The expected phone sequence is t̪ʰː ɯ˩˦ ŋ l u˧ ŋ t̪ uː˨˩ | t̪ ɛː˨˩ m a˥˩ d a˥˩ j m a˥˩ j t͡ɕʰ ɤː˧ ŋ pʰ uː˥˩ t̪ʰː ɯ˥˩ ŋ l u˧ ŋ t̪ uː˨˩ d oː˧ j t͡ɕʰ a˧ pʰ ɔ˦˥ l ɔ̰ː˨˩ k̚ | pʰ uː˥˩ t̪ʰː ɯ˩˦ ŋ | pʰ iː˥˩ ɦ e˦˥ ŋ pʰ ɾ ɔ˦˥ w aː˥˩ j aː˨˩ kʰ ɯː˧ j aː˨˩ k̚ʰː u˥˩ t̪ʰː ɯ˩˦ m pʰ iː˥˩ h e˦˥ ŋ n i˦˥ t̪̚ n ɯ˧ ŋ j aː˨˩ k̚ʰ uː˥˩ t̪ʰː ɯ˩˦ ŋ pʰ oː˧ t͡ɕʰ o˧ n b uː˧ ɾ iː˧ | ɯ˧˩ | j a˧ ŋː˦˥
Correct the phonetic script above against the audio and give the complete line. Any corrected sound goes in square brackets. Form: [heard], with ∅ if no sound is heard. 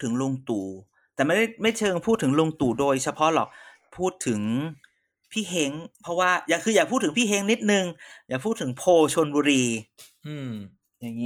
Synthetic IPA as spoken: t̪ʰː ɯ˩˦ ŋ l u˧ ŋ t̪ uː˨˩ | t̪ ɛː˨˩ m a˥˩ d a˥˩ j m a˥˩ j t͡ɕʰ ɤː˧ ŋ pʰ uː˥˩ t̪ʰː [ɯ˩˦] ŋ l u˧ ŋ t̪ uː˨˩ d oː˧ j t͡ɕʰ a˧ pʰ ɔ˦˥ l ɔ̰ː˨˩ k̚ | pʰ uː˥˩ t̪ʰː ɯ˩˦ ŋ | pʰ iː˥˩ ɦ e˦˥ ŋ pʰ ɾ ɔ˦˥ w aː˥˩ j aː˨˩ kʰ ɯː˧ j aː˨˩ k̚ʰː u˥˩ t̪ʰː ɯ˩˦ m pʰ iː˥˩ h e˦˥ ŋ n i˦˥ t̪̚ n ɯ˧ ŋ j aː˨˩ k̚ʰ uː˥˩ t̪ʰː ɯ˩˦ ŋ pʰ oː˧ t͡ɕʰ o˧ n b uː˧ ɾ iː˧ | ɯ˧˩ | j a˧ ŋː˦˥